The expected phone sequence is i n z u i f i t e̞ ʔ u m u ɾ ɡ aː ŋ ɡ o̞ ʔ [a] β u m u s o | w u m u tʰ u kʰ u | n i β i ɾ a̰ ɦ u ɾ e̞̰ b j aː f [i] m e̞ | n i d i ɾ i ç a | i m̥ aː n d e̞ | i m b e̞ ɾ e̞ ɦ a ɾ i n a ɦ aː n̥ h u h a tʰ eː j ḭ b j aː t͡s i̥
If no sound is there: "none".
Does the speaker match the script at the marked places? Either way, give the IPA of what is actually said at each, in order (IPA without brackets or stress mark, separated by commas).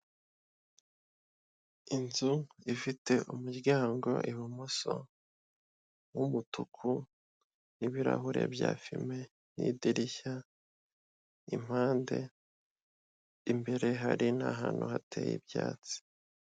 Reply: i, i